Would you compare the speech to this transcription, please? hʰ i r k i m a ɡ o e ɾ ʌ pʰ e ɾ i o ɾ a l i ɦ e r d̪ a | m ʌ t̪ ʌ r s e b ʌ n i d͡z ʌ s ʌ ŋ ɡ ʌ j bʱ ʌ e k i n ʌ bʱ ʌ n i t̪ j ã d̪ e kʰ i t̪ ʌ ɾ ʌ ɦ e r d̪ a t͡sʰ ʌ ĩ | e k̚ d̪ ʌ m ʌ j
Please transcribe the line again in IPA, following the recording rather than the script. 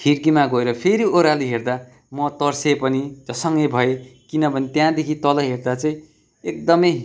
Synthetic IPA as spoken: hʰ i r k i m a ɡ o e ɾ ʌ pʰ e ɾ i o ɾ a l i ɦ e r d̪ a | m ʌ t̪ ʌ r s e p ʌ n i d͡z ʌ s ʌ ŋ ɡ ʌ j bʱ ʌ e k i n ʌ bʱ ʌ n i t̪ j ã d̪ e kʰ i t̪ ʌ l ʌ ɦ e r d̪ a t͡s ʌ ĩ | e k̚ d̪ ʌ m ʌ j